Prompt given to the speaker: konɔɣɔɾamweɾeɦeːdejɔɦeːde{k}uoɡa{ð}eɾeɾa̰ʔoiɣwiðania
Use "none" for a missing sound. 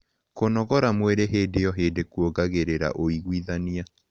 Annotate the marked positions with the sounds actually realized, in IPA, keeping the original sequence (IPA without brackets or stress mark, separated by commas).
k, ɣ